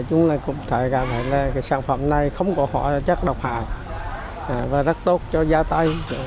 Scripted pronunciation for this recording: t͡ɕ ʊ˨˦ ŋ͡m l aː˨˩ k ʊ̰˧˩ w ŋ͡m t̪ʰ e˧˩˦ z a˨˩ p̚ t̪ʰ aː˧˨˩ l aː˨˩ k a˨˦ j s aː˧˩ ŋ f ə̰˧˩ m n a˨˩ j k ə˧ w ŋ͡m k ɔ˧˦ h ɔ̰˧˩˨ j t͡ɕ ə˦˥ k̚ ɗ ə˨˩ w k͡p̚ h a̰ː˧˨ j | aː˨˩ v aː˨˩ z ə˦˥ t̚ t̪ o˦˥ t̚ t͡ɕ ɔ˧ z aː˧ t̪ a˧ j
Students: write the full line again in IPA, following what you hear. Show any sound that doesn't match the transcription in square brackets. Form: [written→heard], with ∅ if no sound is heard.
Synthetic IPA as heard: t͡ɕ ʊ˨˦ ŋ͡m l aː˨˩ k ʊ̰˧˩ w ŋ͡m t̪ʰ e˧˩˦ [z→ɣ] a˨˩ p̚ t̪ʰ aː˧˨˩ l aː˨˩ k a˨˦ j s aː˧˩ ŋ f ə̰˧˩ m n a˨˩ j [k→x] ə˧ w ŋ͡m k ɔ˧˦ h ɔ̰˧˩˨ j t͡ɕ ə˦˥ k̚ ɗ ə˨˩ w k͡p̚ h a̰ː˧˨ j | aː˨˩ v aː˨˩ z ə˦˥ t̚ t̪ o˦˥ t̚ t͡ɕ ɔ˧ z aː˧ t̪ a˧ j